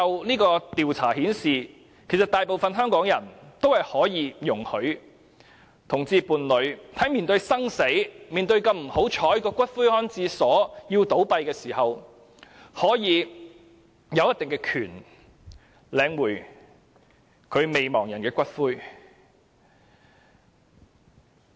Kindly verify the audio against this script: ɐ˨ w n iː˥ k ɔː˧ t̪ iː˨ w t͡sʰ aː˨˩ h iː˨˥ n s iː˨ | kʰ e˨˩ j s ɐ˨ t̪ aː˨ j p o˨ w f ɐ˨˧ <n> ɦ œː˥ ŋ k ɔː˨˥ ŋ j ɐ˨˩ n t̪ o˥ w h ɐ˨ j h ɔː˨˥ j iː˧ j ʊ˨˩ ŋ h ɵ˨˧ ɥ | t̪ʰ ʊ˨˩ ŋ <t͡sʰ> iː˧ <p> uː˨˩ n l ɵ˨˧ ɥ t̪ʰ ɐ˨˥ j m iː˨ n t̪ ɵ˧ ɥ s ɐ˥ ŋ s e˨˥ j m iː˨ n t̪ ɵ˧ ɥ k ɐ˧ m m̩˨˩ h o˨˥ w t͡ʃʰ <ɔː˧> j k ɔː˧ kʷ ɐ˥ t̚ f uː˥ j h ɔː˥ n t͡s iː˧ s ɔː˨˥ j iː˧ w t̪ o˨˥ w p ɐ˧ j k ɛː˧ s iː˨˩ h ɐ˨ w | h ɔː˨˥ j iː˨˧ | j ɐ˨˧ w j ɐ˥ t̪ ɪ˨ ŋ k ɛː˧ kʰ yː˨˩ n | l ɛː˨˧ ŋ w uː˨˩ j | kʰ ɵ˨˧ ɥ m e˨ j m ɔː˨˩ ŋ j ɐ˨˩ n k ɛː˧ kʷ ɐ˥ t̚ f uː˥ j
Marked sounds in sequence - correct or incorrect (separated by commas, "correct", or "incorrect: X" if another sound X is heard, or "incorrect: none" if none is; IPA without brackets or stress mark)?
correct, incorrect: t͡s, correct, incorrect: ɔː˨˥